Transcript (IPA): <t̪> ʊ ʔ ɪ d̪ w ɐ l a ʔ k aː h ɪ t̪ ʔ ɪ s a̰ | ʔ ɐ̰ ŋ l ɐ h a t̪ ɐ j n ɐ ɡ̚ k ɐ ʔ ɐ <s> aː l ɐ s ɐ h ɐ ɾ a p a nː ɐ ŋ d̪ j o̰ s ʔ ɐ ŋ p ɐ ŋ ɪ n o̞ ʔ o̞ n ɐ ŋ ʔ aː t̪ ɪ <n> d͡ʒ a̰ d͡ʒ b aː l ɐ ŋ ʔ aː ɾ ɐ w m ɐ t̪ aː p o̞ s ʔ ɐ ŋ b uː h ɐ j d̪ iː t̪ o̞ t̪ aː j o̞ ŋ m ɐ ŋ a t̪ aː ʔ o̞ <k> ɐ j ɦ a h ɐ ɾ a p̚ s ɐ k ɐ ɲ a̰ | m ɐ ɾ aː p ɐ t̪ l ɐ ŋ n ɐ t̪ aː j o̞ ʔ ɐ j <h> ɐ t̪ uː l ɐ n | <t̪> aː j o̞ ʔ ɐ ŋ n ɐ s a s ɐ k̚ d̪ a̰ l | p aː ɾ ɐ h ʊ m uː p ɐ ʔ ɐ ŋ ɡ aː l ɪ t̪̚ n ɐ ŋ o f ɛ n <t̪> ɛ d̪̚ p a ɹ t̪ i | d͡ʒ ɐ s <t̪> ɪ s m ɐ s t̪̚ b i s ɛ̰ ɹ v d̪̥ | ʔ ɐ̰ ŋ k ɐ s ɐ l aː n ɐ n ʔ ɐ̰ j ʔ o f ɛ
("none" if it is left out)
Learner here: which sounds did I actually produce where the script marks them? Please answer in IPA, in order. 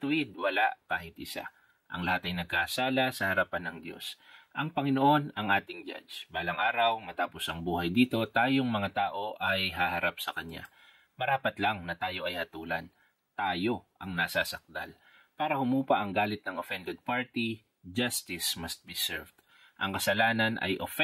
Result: t̪, s, ŋ, ʔ, h, t̪, d̪, t̪

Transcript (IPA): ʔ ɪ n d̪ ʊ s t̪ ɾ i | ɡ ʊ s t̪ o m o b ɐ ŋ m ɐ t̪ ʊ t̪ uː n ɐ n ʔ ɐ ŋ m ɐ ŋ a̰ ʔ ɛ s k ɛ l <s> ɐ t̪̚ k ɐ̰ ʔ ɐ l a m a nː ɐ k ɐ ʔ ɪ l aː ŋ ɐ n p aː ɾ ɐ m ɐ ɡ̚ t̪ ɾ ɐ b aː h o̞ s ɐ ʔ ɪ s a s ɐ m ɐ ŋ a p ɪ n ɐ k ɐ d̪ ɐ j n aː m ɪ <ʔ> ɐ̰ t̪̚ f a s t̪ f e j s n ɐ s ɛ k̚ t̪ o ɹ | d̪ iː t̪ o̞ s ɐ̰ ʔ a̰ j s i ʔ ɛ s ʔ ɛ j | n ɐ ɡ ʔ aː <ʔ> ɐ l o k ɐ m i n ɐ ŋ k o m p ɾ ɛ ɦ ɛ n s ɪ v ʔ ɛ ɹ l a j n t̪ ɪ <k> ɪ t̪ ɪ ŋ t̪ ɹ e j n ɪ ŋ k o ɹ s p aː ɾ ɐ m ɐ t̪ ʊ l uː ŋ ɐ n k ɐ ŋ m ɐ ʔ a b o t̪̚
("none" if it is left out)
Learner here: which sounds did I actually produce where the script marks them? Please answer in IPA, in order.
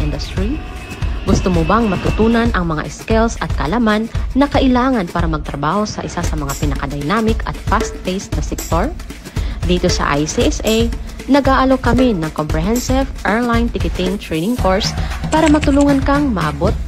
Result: s, k, ʔ, k

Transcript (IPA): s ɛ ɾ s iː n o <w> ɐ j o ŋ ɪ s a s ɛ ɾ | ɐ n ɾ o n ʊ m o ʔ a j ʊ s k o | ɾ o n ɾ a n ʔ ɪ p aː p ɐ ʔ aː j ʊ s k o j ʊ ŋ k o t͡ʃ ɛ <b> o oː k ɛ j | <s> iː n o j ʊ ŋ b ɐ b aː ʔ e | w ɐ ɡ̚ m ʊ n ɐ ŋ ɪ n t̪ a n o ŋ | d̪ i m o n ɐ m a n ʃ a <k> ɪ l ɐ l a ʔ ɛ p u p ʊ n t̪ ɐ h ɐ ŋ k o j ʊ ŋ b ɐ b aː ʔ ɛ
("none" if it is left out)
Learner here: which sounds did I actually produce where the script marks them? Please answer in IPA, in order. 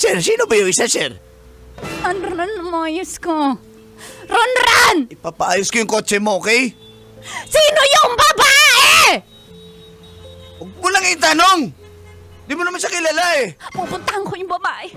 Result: b, m, s, k

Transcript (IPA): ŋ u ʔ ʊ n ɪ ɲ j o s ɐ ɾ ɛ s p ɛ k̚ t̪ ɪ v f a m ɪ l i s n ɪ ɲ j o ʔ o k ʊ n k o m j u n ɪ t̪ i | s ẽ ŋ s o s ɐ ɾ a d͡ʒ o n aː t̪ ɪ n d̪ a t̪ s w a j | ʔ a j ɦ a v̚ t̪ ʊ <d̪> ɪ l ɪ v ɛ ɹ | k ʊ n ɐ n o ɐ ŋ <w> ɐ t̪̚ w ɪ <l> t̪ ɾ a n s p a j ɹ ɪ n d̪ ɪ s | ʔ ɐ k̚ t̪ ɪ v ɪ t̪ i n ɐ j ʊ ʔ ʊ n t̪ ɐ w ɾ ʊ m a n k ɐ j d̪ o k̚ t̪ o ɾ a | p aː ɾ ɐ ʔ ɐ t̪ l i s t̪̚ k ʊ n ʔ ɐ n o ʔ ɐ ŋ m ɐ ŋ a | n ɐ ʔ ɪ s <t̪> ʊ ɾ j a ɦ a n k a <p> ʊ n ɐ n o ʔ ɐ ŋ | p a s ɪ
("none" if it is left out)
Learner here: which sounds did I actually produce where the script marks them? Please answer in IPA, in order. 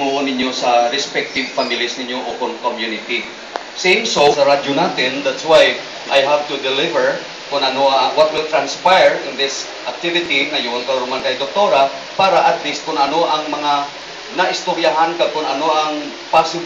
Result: d̪, w, l, t̪, k

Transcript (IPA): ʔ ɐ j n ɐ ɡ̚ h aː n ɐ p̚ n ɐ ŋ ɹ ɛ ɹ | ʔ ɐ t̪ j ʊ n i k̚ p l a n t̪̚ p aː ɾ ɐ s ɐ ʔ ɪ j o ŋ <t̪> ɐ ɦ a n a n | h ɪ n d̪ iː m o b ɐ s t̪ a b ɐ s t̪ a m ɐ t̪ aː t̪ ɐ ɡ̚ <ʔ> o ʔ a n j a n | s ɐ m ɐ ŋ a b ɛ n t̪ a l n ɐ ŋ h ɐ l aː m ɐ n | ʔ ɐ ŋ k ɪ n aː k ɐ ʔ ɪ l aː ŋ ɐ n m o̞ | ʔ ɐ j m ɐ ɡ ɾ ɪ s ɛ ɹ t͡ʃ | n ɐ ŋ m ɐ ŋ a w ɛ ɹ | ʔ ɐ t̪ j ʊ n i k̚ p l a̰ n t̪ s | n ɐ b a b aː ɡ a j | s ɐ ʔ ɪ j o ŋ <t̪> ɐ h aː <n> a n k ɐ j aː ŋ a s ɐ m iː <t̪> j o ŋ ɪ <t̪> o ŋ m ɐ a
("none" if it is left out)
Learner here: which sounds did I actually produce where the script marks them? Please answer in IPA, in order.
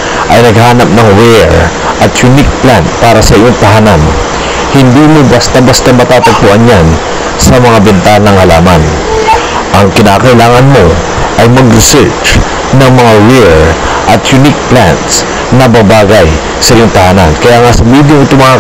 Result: t̪, p, t̪, n, d̪, t̪

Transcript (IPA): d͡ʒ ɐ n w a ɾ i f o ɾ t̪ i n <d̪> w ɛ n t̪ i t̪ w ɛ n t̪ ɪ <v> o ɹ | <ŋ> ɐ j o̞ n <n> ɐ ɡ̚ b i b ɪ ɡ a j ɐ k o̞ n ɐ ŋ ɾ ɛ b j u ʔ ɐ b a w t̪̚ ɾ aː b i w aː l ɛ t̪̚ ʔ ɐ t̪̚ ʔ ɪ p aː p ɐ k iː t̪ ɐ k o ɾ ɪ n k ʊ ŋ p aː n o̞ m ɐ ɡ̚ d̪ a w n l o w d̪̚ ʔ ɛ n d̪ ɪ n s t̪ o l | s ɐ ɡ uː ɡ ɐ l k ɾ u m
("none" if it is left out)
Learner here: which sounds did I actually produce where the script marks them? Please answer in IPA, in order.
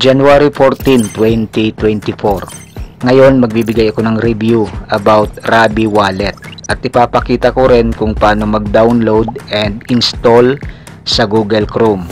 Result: t̪, f, ŋ, m

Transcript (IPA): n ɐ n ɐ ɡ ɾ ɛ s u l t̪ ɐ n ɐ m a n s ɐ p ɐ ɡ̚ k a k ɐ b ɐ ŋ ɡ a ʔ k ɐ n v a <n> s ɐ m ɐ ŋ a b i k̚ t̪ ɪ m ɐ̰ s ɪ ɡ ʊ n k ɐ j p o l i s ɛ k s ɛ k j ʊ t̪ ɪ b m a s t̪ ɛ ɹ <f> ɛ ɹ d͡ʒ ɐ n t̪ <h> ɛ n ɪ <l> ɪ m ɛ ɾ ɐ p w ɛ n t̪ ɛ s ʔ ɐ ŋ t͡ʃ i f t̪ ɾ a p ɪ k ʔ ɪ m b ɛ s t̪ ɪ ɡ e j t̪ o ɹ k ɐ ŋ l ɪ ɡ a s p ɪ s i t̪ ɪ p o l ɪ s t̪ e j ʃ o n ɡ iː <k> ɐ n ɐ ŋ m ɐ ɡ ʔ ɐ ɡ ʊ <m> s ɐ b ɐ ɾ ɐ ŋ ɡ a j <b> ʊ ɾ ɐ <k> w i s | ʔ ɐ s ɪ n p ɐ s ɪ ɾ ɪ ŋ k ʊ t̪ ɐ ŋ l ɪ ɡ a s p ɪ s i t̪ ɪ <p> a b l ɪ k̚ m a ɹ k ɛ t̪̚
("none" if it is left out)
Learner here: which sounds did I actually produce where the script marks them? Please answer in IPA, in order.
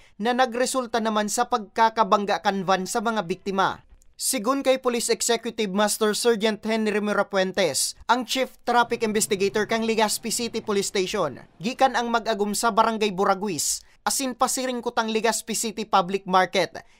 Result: n, s, h, ɾ, k, m, b, ɡ, p

